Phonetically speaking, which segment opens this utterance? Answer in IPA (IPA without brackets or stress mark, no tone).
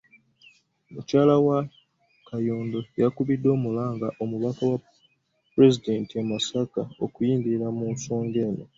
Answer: m